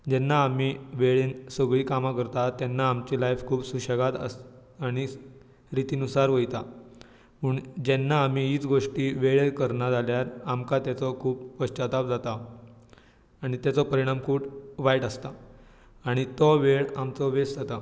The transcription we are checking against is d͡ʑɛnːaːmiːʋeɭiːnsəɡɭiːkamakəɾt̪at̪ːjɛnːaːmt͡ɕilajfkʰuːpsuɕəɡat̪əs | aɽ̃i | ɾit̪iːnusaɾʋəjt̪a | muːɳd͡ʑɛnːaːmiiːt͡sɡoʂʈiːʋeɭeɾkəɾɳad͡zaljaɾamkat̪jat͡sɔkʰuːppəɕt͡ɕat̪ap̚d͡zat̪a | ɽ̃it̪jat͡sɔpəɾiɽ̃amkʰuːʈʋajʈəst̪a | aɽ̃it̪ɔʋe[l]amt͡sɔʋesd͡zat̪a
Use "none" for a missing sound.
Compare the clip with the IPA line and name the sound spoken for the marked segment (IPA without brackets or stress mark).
ɭ